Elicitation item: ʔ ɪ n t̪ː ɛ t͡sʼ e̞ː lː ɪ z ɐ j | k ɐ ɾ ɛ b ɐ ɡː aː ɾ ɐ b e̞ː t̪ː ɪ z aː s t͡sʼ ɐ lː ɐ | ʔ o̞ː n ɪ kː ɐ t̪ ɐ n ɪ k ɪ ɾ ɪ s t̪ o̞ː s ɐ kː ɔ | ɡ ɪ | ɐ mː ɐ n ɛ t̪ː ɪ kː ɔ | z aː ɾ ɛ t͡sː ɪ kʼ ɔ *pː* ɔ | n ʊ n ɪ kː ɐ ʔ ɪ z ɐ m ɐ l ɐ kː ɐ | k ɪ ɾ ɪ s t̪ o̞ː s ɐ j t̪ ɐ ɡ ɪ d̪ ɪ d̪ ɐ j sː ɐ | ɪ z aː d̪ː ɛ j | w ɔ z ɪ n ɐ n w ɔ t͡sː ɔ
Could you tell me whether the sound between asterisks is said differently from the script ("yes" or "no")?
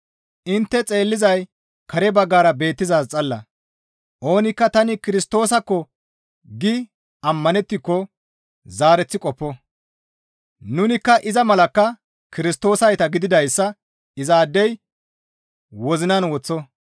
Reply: no